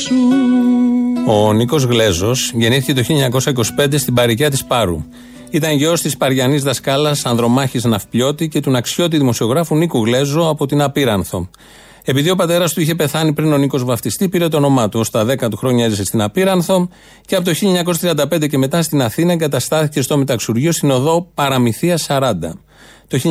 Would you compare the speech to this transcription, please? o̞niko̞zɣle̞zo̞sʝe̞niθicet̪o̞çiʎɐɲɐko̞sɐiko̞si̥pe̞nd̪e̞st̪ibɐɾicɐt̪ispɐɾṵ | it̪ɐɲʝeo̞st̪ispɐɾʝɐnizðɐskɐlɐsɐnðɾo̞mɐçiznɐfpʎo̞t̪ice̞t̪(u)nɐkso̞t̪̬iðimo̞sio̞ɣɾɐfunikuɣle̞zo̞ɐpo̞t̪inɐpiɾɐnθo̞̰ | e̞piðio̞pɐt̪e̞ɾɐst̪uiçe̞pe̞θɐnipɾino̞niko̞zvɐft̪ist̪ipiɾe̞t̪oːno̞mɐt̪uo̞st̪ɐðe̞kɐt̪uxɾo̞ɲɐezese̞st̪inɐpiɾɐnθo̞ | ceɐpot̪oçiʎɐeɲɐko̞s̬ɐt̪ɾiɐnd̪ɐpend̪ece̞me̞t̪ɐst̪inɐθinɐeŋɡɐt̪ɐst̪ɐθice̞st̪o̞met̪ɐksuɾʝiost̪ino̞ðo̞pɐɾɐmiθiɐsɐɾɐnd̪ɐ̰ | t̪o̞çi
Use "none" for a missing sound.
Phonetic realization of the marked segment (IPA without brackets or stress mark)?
u